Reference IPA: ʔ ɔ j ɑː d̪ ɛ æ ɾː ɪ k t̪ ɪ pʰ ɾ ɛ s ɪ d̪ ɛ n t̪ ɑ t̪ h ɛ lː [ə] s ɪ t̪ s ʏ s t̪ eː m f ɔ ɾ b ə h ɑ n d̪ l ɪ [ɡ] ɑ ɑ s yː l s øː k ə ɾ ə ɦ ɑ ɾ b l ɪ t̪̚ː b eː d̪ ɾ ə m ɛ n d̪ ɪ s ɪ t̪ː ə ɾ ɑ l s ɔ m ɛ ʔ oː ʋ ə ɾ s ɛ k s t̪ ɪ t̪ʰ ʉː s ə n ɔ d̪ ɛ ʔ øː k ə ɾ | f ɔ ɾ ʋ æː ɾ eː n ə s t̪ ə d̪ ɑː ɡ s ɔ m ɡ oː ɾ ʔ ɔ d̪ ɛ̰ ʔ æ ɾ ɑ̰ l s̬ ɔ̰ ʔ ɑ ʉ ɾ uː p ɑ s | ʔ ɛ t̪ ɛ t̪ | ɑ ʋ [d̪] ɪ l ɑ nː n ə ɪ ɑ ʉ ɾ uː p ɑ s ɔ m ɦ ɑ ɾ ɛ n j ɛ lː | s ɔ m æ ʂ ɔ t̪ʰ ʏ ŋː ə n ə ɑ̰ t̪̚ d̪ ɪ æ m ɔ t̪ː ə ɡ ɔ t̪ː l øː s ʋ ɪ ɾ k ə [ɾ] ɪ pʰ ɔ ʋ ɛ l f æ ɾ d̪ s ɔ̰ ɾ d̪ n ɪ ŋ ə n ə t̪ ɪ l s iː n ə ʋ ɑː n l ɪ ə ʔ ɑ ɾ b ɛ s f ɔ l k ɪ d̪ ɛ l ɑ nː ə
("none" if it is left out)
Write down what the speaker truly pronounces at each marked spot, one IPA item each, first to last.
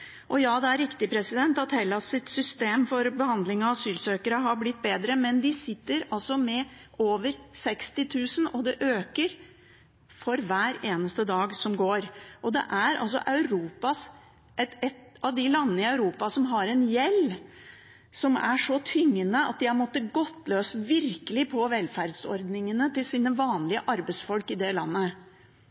ɑ, ŋ, d̪, l

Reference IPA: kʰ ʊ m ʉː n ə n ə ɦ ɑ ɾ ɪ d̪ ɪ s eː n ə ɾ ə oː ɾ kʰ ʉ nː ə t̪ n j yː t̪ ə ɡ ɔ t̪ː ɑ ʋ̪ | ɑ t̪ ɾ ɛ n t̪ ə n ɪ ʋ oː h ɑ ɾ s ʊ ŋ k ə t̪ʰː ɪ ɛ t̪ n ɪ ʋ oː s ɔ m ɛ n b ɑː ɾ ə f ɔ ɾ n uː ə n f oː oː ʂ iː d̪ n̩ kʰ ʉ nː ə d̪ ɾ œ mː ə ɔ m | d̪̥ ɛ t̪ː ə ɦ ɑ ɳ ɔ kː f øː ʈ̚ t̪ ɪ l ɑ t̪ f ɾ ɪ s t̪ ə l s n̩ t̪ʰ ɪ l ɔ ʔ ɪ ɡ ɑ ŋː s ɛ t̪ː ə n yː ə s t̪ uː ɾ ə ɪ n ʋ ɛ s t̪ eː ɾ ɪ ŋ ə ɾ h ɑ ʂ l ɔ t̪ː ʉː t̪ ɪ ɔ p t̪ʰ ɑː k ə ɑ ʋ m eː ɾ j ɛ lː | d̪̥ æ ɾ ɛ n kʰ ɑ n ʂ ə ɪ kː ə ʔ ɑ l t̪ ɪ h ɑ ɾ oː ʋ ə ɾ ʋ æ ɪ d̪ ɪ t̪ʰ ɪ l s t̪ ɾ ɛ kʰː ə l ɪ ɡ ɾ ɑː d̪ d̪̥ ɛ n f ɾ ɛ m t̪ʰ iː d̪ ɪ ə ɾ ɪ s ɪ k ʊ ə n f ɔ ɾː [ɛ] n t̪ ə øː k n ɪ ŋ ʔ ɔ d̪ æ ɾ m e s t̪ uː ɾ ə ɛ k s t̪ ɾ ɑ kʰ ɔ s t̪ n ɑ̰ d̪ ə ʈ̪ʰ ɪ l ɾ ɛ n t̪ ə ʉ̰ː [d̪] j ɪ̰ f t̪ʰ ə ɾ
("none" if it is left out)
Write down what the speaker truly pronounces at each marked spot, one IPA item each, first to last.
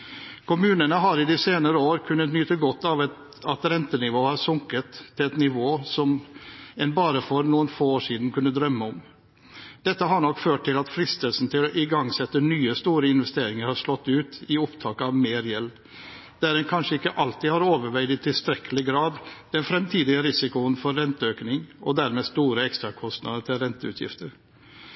ɛ, t̪

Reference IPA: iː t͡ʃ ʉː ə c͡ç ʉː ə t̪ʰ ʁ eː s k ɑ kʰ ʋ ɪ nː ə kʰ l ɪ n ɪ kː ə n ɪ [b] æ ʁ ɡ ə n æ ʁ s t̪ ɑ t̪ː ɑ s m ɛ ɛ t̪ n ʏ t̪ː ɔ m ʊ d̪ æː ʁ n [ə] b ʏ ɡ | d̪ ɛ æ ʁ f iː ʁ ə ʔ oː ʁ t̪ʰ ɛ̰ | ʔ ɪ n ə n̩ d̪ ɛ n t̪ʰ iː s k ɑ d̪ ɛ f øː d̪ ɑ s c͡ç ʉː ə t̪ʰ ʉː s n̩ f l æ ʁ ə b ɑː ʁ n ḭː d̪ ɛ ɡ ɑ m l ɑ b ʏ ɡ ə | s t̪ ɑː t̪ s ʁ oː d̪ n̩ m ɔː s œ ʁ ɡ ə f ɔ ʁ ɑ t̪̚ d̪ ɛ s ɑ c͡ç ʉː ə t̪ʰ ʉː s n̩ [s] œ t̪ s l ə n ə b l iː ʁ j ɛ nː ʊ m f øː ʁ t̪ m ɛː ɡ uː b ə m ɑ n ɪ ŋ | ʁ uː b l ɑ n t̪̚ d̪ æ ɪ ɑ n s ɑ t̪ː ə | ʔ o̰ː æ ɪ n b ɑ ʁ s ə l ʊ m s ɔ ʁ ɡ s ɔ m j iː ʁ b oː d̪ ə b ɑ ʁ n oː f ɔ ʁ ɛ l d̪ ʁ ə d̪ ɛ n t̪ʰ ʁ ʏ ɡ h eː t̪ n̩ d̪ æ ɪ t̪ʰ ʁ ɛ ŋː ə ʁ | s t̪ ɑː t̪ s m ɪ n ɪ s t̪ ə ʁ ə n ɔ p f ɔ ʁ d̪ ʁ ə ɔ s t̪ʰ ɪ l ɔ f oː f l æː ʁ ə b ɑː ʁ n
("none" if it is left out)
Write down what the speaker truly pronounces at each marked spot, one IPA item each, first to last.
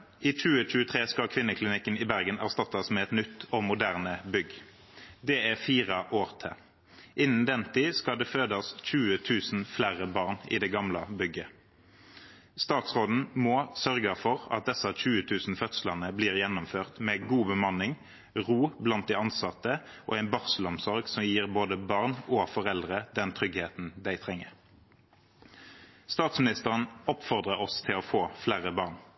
b, ə, f

